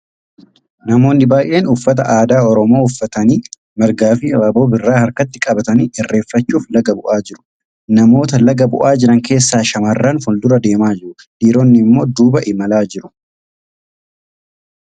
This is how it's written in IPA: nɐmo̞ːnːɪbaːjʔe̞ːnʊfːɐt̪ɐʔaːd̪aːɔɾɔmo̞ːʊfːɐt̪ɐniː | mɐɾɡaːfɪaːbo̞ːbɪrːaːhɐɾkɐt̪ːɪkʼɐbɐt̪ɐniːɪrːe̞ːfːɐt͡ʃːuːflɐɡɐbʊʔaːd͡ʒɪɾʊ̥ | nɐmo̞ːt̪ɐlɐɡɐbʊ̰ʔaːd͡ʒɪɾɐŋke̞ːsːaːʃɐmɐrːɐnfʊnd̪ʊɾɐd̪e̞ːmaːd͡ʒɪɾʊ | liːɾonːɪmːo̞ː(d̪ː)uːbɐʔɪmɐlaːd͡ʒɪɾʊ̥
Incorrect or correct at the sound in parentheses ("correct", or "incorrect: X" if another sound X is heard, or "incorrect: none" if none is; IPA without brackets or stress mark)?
incorrect: d̪